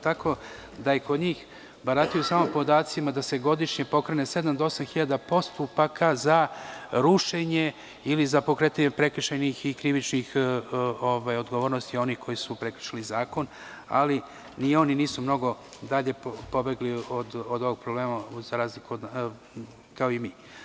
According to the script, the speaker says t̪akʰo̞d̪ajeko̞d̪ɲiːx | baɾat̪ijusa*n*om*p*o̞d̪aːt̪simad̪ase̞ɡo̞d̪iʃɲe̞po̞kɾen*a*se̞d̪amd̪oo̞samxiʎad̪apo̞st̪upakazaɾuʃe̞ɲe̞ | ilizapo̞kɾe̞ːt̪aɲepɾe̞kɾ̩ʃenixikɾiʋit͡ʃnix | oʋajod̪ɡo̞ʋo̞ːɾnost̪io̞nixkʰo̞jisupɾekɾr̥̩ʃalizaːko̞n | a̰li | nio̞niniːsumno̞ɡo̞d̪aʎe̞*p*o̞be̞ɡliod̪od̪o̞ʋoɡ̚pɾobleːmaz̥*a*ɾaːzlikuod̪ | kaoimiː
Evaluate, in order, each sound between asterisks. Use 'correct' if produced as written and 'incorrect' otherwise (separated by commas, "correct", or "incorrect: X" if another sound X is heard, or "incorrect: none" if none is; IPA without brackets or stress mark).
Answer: incorrect: m, correct, incorrect: e, correct, correct